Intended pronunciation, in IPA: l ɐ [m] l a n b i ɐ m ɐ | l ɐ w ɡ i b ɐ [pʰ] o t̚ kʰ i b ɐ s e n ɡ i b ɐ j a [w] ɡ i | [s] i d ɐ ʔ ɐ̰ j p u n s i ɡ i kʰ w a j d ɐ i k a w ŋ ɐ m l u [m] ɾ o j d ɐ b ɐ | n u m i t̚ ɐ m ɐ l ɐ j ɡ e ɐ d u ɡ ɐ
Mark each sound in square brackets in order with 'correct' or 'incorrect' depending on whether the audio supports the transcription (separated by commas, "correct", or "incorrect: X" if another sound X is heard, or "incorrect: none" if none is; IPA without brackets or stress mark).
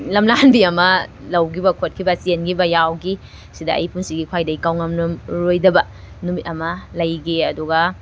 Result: correct, incorrect: kʰ, correct, correct, correct